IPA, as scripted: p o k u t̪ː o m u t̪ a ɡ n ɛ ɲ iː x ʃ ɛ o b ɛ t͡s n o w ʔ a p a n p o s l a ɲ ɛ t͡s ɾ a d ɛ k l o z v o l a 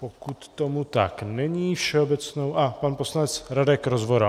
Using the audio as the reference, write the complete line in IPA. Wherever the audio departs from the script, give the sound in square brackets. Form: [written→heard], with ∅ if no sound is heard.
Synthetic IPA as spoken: p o k u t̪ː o m u t̪ a [ɡ→k] n ɛ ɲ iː [x→f] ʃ ɛ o b ɛ t͡s n o w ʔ a p a n p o s l a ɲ ɛ t͡s ɾ a d ɛ k [l→ɾ] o z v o [l→ɾ] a